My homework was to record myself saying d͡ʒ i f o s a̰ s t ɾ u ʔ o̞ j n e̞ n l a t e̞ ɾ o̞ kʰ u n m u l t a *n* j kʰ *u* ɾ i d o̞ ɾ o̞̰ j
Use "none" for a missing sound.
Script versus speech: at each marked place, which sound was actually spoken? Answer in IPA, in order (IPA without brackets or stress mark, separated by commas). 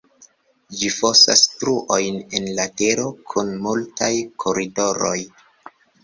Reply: none, o